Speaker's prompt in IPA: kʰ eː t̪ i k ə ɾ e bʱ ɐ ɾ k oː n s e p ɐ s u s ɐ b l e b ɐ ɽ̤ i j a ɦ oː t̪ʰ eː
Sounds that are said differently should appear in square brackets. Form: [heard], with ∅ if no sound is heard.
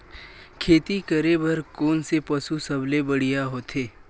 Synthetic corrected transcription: kʰ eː t̪ i k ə ɾ e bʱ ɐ ɾ k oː n s e p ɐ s u s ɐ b l e b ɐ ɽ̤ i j a ɦ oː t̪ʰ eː